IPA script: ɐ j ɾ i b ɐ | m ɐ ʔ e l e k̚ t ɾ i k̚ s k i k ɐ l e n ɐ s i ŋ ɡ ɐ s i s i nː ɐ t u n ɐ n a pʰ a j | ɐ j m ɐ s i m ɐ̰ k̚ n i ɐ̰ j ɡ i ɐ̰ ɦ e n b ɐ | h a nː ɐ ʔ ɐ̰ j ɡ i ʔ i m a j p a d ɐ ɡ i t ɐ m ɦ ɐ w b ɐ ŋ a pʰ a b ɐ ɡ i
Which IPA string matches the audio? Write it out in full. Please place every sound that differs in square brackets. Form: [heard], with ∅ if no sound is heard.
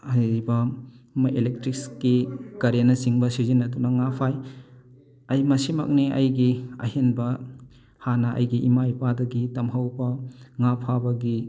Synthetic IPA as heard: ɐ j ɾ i b ɐ | m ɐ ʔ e l e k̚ t ɾ i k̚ s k i k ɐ [ɾ] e n ɐ s i ŋ [b] ɐ s i [z] i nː ɐ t u n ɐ [ŋ] a pʰ a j | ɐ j m ɐ s i m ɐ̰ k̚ n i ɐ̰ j ɡ i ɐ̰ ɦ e n b ɐ | h a [n] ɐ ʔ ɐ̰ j ɡ i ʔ i m a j p a d ɐ ɡ i t ɐ m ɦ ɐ w b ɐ ŋ a pʰ a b ɐ ɡ i